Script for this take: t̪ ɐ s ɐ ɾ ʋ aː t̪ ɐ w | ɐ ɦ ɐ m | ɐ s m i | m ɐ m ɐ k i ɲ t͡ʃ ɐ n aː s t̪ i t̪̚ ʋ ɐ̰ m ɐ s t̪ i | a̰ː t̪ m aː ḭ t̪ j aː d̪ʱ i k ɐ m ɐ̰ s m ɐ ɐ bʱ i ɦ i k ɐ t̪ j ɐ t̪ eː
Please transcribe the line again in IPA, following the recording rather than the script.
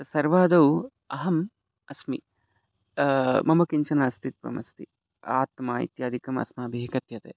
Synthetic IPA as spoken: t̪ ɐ s ɐ ɾ ʋ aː d̪ ɐ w | ɐ ɦ ɐ m | ɐ s m i | m ɐ m ɐ k i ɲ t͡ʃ ɐ n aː s t̪ i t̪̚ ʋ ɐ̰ m ɐ s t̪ i | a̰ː t̪ m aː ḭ t̪ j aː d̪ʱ i k ɐ m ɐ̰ s m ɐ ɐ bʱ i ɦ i k ɐ t̪ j ɐ t̪ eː